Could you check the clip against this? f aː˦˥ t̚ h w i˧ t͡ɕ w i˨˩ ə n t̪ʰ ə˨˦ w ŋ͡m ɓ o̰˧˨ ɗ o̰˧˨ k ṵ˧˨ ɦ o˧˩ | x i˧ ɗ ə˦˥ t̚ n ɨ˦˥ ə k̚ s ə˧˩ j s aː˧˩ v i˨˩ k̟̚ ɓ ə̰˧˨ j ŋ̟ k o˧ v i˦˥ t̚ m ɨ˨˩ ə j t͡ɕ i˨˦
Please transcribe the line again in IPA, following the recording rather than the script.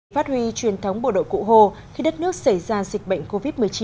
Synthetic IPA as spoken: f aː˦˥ t̚ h w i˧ t͡ɕ w i˨˩ ə n t̪ʰ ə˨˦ w ŋ͡m ɓ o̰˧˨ ɗ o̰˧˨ k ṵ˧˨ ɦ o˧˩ | x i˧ ɗ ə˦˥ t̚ n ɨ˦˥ ə k̚ s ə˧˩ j z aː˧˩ z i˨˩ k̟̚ ɓ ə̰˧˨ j ŋ̟ k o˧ v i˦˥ t̚ m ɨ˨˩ ə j t͡ɕ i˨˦

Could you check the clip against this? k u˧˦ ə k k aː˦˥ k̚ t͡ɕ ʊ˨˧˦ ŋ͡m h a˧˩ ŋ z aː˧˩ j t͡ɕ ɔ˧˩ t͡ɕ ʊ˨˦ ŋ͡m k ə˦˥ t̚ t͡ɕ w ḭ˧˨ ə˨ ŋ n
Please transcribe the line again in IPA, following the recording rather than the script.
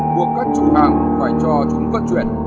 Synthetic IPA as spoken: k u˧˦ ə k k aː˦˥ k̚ t͡ɕ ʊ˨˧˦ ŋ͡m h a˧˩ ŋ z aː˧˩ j t͡ɕ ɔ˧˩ t͡ɕ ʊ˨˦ ŋ͡m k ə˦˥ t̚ t͡ɕ w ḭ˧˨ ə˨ n

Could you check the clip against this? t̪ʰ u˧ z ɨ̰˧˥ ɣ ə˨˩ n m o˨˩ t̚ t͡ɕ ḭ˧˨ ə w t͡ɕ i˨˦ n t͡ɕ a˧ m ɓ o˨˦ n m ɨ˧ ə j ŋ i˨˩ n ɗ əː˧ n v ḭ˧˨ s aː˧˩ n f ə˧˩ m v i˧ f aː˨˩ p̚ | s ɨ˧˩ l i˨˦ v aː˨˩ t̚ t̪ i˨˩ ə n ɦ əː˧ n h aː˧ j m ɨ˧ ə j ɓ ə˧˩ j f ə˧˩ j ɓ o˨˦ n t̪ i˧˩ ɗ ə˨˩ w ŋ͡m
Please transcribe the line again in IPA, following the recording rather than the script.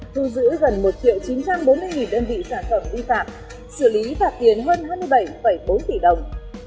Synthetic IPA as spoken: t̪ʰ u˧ z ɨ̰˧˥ ɣ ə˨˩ n m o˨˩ t̚ t͡ɕ ḭ˧˨ ə w t͡ɕ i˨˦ n t͡ɕ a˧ m ɓ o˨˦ n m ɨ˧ ə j ŋ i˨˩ n ɗ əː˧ n v ḭ˧˨ s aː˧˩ n f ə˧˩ m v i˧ f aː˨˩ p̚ | s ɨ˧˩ l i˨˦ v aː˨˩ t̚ t̪ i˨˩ ə n ɦ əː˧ n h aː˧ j m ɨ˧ ə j ɓ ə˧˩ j f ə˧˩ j ɓ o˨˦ n t̪ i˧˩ ɗ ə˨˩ w ŋ͡m

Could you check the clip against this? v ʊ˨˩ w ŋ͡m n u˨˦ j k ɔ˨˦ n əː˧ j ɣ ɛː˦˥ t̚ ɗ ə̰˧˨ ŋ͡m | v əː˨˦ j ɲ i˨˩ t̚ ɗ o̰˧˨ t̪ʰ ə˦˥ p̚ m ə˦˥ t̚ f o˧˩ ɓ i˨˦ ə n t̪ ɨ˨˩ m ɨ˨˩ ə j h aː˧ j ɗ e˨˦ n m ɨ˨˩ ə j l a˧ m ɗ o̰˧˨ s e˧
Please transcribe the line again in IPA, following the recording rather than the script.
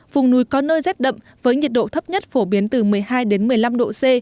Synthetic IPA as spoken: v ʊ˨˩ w ŋ͡m n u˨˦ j k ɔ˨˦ n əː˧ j z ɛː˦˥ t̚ ɗ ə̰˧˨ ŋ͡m | v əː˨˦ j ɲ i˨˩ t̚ ɗ o̰˧˨ t̪ʰ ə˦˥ p̚ ɲ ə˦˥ t̚ f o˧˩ ɓ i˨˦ ə n t̪ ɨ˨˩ m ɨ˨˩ ə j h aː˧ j ɗ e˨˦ n m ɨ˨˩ ə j l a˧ m ɗ o̰˧˨ s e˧

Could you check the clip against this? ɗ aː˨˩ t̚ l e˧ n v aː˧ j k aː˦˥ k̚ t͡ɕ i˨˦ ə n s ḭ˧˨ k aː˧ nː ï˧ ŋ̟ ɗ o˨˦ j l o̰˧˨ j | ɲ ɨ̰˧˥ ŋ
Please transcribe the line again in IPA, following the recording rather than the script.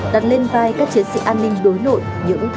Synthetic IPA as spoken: ɗ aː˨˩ t̚ l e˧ n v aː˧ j k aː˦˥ k̚ t͡ɕ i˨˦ ə n s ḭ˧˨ ʔ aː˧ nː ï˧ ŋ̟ ɗ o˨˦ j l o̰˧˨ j | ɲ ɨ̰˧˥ ŋ

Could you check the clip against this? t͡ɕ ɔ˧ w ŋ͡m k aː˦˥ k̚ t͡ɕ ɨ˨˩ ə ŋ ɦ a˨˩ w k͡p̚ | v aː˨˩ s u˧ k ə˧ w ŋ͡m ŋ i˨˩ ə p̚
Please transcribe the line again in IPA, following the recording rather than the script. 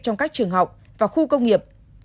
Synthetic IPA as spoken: t͡ɕ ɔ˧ w ŋ͡m k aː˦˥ k̚ t͡ɕ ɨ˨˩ ə ŋ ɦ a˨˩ w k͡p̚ | v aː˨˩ x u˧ k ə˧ w ŋ͡m ŋ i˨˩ ə p̚

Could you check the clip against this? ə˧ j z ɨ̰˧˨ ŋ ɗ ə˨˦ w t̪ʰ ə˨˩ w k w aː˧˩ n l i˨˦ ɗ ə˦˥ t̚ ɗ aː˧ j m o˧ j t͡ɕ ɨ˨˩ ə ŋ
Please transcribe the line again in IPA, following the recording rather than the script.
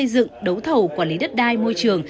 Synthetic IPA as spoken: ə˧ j z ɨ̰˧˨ ŋ ɗ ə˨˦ w t̪ʰ ə˨˩ w k w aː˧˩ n l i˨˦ ɗ ə˦˥ t̚ ɗ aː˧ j m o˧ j t͡ɕ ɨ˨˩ ə ŋ

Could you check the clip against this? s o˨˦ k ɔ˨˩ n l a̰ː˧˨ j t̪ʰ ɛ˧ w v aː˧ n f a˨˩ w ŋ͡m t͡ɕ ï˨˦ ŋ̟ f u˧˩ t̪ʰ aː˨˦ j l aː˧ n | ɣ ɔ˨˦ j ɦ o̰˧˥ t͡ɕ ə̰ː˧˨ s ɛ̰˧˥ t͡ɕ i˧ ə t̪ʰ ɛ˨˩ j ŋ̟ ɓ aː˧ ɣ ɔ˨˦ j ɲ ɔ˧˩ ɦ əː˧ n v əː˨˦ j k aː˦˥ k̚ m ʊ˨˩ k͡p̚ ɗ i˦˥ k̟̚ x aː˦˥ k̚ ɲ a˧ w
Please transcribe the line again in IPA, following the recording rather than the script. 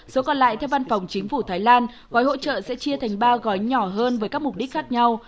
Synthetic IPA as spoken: s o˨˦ k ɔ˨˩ n l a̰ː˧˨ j t̪ʰ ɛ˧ w v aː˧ n f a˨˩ w ŋ͡m t͡ɕ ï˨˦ ŋ̟ f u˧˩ t̪ʰ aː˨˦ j l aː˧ n | ɣ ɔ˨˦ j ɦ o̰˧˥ t͡ɕ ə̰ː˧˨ s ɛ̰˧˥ t͡ɕ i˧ ə t̪ʰ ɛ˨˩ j ŋ̟ ɓ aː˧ ɣ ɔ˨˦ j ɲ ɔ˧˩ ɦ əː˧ n v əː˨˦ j k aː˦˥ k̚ m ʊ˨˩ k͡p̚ ɗ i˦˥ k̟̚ x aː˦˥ k̚ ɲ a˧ w

